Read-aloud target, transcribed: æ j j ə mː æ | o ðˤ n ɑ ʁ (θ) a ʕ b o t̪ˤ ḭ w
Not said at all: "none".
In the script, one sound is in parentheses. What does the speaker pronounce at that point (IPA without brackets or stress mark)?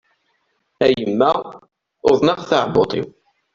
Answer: θ